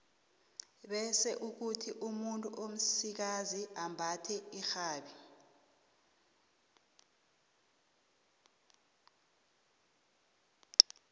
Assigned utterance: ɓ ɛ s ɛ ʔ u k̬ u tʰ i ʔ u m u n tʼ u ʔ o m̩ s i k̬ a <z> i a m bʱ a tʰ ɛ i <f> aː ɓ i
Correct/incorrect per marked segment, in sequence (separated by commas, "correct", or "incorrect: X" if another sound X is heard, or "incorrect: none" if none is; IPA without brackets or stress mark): correct, incorrect: x